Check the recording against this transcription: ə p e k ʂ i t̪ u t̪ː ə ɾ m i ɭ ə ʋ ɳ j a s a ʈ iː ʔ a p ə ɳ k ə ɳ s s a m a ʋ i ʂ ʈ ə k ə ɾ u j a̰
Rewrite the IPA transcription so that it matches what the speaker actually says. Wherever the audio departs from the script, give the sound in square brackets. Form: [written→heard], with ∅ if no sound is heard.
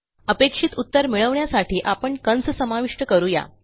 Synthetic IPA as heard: ə p e k ʂ i t̪ u t̪ː ə ɾ m i ɭ ə ʋ ɳ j a s a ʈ iː ʔ a p ə ɳ k ə [ɳ→n] s s [a→ə] m a ʋ i ʂ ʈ ə k ə ɾ u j a̰